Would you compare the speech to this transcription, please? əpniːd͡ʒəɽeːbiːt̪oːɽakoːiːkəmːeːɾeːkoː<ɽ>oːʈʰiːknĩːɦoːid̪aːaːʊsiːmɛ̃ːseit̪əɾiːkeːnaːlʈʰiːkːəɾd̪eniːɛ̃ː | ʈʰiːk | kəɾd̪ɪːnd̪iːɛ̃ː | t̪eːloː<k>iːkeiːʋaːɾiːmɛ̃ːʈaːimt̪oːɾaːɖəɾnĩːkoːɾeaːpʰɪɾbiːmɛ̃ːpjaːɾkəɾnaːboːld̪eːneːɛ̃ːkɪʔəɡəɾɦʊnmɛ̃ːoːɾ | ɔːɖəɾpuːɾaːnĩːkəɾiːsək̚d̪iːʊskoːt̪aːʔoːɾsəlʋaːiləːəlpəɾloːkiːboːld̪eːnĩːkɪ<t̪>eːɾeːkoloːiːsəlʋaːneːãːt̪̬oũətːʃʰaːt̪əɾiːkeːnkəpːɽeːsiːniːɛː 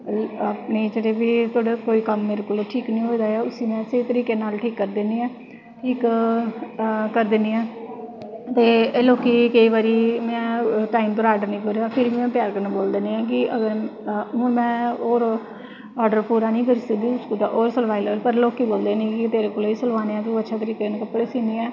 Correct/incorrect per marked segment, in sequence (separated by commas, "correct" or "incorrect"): incorrect, correct, correct